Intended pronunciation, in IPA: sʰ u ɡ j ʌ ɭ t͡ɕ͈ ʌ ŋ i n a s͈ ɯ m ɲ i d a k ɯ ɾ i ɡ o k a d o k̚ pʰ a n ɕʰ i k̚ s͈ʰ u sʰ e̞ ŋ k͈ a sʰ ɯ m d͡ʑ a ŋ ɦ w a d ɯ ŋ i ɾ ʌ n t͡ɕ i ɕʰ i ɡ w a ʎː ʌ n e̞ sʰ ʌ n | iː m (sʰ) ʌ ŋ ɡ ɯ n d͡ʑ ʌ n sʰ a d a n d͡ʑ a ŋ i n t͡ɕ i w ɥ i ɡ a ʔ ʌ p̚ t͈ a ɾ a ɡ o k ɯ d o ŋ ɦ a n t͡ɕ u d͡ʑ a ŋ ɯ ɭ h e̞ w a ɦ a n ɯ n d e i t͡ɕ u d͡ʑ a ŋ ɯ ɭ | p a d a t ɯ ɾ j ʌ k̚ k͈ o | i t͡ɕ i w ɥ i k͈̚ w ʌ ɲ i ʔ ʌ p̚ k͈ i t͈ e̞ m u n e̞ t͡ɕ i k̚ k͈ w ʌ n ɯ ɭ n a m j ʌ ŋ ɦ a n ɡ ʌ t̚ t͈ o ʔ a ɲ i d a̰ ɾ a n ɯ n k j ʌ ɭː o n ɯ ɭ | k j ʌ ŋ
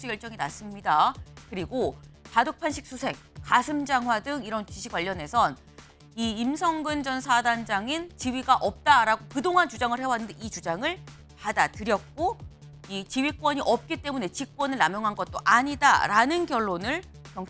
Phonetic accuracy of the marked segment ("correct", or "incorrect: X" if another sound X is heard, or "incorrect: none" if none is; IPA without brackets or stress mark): correct